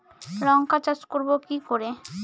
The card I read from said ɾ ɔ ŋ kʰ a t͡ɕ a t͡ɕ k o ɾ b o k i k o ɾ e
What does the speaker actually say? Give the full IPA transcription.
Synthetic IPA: ɾ ɔ ŋ k a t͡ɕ a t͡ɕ k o ɾ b o k i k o ɾ e